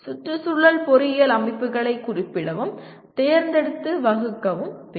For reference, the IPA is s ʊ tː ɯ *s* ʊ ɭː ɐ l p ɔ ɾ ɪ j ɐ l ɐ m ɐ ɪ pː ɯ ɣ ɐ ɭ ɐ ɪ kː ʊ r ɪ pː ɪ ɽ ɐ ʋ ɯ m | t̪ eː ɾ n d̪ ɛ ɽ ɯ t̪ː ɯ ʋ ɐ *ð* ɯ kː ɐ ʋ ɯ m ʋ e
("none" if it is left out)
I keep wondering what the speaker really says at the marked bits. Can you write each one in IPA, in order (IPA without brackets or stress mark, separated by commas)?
s, ɣ